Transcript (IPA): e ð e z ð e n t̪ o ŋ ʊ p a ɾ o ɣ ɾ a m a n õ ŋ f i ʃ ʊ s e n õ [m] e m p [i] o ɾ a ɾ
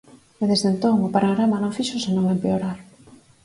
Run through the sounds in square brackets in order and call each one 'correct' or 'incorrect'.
incorrect: ŋ, incorrect: e

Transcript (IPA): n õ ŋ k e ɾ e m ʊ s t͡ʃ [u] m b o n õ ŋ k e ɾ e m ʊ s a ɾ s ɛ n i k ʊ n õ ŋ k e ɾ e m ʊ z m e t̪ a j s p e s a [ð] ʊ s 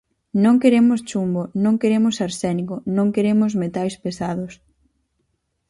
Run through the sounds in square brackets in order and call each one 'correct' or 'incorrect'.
correct, correct

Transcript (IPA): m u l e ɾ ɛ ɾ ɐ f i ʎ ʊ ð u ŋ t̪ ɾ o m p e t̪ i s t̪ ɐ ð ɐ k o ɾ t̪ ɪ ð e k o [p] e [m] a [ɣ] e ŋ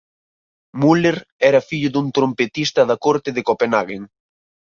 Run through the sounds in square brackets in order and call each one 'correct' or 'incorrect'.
correct, incorrect: n, correct

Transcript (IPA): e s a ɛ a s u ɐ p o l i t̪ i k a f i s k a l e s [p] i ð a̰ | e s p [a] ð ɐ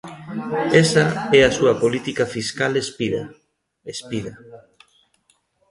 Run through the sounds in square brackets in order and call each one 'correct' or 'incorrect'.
correct, incorrect: i

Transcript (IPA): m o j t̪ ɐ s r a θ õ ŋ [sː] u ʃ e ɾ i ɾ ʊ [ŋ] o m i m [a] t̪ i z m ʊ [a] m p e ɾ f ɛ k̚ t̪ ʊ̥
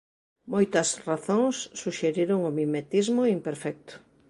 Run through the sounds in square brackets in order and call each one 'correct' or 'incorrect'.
correct, correct, incorrect: e, incorrect: i

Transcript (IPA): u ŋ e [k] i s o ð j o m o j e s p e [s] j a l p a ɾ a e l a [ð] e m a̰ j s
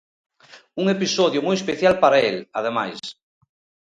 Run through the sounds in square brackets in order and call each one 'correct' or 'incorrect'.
incorrect: p, incorrect: θ, correct

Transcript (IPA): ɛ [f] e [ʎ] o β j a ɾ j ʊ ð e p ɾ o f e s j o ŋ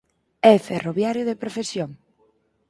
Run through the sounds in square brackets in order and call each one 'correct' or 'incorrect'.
correct, incorrect: r

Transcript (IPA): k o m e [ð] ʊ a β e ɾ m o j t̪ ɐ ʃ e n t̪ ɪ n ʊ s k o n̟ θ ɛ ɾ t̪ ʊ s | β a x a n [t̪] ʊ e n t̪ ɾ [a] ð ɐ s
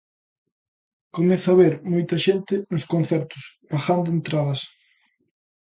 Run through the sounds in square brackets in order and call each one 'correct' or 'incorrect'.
incorrect: θ, incorrect: d̪, correct

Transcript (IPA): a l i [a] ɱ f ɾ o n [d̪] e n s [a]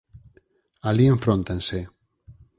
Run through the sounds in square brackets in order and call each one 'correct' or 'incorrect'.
incorrect: e, incorrect: t̪, incorrect: e

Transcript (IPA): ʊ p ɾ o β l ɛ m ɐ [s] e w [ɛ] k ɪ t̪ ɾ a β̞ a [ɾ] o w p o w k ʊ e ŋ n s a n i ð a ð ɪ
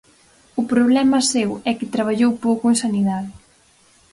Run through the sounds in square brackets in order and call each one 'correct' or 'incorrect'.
correct, correct, incorrect: ʎ

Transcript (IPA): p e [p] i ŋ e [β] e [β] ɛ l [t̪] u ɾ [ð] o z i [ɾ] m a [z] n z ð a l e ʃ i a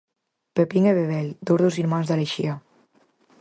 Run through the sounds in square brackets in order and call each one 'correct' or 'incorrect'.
correct, correct, correct, incorrect: d̪, correct, correct, incorrect: none

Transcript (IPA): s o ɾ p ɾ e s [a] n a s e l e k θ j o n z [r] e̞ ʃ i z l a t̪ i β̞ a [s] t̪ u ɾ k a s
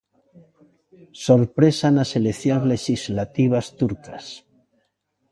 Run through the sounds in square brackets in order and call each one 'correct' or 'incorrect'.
correct, incorrect: l, correct

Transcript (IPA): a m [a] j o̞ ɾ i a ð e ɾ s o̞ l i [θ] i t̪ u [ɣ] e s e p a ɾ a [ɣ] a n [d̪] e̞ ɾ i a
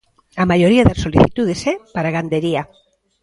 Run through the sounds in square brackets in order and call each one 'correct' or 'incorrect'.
correct, correct, incorrect: ð, correct, correct

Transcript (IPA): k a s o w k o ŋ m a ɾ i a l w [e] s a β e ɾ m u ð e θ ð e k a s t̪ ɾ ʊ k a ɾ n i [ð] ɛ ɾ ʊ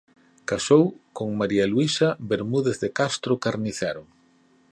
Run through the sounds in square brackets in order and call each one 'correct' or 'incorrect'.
incorrect: i, incorrect: θ

